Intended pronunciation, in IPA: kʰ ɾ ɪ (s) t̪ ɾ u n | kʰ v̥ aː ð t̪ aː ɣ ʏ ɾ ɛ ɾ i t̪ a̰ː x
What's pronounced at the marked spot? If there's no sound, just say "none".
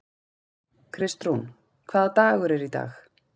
s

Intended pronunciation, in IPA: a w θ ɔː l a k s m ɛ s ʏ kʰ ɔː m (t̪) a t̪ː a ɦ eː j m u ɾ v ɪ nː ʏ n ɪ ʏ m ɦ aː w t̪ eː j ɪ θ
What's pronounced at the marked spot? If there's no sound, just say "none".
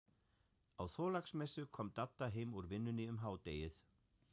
t̪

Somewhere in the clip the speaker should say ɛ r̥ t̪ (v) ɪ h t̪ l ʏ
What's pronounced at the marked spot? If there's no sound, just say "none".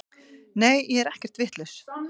v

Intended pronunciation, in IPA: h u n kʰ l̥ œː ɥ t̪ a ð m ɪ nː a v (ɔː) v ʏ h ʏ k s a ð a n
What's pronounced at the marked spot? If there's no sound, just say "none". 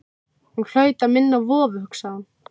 ɔː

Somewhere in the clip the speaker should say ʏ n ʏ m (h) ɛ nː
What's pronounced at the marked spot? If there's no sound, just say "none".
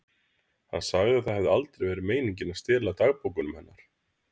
h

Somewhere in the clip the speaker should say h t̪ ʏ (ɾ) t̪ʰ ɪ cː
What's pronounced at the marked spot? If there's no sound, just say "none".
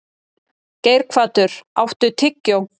none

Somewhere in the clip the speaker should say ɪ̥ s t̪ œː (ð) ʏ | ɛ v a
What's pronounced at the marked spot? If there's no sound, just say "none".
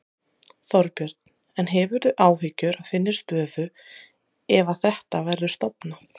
ð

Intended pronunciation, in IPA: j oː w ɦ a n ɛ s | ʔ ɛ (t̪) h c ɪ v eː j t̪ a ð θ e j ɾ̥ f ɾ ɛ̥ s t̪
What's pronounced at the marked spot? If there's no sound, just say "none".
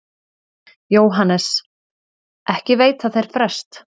none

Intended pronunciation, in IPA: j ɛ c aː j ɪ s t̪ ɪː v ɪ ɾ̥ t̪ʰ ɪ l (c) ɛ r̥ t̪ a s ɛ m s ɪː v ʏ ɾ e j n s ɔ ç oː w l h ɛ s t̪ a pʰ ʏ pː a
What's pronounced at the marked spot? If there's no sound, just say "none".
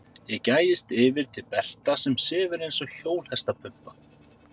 p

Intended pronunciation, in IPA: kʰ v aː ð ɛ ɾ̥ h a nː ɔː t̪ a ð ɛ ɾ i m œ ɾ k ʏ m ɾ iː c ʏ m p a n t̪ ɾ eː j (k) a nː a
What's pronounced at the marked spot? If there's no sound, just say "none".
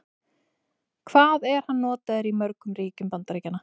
c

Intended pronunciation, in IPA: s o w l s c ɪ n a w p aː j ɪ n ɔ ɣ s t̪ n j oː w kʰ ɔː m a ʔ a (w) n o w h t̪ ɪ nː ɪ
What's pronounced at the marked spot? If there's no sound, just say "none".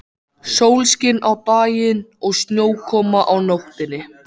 w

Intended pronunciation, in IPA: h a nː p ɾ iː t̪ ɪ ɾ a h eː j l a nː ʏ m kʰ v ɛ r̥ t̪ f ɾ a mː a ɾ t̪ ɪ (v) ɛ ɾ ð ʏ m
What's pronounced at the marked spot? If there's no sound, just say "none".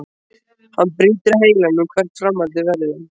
v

